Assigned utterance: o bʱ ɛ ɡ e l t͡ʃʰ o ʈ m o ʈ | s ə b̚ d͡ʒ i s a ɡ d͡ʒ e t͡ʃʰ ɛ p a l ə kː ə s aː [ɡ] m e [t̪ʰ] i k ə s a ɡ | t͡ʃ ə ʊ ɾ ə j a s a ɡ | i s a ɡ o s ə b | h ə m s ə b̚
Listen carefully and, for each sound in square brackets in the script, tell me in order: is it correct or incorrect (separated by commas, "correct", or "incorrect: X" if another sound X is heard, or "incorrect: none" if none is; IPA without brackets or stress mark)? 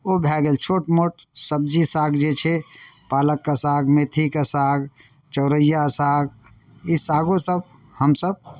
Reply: correct, correct